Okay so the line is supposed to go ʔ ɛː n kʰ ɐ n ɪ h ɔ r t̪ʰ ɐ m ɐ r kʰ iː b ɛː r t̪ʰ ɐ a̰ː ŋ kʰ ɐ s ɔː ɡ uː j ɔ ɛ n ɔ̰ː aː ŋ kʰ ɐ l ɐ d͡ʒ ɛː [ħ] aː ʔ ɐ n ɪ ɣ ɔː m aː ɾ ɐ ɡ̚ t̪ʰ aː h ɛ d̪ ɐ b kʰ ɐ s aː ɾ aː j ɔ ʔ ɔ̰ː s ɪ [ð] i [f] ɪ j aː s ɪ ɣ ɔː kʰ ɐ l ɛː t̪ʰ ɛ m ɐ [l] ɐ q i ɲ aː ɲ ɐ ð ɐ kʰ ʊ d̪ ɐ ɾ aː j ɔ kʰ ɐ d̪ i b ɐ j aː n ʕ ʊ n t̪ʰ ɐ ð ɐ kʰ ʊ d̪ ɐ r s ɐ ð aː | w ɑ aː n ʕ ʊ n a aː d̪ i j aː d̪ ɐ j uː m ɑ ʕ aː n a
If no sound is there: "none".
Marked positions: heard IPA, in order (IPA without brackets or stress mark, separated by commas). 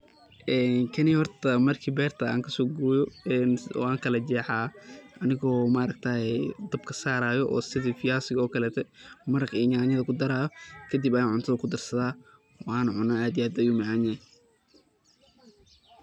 ħ, ð, f, ɾ